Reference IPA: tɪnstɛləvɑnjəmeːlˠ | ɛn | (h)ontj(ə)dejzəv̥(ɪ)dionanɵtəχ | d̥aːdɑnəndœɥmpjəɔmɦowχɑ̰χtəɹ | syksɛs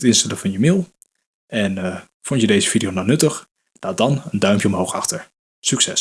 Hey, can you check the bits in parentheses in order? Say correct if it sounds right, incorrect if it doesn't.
incorrect: f, correct, incorrect: i

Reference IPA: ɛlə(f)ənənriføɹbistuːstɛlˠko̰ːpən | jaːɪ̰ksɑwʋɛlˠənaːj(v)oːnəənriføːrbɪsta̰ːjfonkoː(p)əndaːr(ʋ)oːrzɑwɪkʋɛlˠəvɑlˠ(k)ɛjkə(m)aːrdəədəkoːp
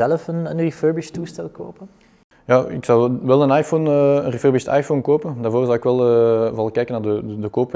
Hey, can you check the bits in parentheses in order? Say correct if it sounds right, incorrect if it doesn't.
correct, incorrect: f, correct, incorrect: v, correct, incorrect: n

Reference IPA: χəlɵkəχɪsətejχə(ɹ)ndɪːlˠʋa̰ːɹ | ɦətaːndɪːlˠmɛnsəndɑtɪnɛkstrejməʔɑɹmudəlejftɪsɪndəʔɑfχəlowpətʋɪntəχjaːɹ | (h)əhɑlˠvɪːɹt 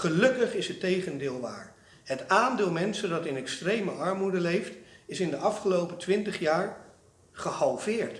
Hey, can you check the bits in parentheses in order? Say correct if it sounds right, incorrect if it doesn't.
incorrect: none, incorrect: χ

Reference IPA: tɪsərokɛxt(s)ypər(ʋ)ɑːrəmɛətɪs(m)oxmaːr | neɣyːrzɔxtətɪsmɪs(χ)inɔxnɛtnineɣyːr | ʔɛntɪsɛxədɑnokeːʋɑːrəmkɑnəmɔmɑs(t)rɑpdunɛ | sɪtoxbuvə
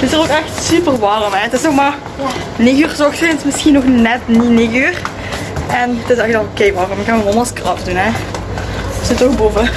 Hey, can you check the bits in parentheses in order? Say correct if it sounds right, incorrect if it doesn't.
correct, correct, incorrect: n, incorrect: x, incorrect: k

